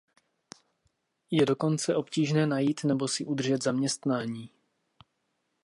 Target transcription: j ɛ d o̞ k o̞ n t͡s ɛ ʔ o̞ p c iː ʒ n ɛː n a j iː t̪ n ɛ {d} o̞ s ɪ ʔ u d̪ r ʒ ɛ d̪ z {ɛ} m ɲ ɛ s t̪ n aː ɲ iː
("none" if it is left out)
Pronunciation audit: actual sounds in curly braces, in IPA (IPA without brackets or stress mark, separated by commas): b, a